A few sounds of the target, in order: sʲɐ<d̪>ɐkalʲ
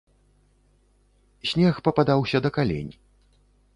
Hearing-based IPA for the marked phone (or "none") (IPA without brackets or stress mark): d̪